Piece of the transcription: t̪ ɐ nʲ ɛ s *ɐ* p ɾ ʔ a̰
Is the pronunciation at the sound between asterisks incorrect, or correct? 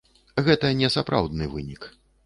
incorrect: a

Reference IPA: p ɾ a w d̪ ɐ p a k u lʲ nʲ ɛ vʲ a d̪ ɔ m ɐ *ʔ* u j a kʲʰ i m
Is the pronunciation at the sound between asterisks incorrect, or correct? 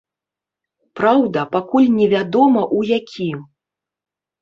correct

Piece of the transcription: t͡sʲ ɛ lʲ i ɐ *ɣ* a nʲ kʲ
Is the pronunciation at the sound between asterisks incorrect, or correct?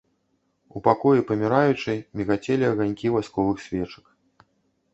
correct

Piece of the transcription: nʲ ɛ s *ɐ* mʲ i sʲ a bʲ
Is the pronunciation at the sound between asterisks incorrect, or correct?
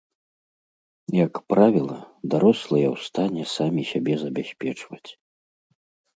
incorrect: a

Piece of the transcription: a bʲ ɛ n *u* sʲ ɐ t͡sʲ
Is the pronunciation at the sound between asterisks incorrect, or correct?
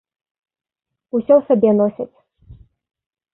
incorrect: ɔ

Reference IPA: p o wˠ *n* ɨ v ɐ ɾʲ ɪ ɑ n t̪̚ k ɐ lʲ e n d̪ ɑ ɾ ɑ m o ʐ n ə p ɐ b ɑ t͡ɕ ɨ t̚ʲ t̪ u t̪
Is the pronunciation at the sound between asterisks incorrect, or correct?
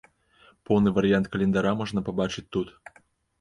correct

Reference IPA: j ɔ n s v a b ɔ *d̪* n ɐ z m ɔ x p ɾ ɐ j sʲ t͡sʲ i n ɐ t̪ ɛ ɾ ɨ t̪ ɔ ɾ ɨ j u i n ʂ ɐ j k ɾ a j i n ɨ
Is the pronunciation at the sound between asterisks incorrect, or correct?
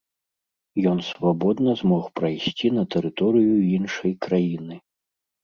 correct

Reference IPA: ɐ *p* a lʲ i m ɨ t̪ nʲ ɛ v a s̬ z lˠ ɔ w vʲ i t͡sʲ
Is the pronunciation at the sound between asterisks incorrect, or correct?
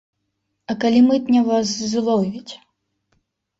incorrect: k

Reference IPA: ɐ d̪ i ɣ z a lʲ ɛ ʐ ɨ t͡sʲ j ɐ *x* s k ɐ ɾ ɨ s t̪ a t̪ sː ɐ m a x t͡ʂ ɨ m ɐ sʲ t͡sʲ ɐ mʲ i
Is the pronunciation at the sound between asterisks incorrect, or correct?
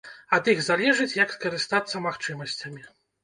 incorrect: k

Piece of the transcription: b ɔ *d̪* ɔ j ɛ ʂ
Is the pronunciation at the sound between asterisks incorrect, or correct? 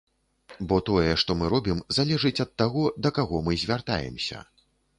incorrect: t̪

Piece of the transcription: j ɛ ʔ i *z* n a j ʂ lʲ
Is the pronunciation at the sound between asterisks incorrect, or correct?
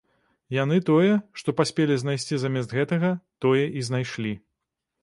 correct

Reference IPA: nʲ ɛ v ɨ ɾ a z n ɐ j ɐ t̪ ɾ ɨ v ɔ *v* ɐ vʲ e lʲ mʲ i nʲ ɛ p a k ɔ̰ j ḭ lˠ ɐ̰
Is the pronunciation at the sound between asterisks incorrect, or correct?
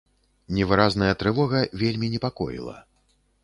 incorrect: ɣ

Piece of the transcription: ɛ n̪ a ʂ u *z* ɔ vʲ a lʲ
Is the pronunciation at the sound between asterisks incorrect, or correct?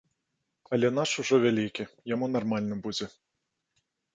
incorrect: ʐ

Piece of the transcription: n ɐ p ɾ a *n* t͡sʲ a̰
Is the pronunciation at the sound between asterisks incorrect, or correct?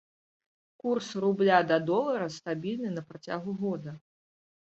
incorrect: none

